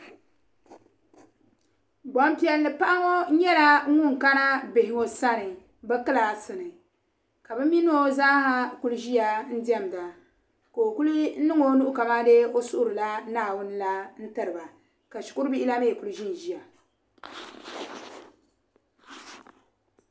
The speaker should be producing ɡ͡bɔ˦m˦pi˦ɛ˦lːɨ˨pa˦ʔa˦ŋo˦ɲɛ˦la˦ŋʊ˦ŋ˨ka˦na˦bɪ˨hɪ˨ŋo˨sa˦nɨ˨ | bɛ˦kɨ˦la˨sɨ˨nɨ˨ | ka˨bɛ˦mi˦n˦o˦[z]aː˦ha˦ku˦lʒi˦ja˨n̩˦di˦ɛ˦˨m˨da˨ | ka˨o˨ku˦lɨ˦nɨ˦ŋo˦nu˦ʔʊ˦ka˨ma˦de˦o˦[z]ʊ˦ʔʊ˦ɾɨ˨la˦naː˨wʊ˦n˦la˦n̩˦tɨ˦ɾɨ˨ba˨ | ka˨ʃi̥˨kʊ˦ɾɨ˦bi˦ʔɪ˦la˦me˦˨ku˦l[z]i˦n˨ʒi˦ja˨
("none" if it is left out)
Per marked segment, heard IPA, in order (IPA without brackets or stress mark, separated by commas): z, s, ʒ